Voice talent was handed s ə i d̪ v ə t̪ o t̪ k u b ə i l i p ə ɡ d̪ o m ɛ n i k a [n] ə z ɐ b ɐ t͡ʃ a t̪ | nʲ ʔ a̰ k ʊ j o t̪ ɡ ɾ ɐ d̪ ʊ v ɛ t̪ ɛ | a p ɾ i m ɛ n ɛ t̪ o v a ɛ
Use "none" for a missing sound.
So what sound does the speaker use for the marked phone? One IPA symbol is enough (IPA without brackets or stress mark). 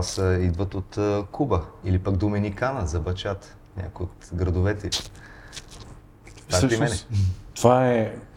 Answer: n